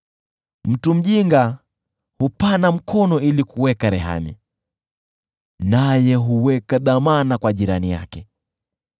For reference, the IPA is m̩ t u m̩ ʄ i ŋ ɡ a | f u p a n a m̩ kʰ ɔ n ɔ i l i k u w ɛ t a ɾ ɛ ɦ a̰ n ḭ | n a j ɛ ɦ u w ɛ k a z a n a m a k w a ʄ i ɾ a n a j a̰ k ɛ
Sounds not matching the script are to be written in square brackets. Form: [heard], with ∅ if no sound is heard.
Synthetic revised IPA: m̩ t u m̩ ʄ i ŋ ɡ a | [h] u p a n a m̩ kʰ ɔ n ɔ i l i k u w ɛ [k] a ɾ ɛ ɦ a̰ n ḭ | n a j ɛ ɦ u w ɛ k a [ð] a [m] a [n] a k w a ʄ i ɾ a n [i] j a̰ k ɛ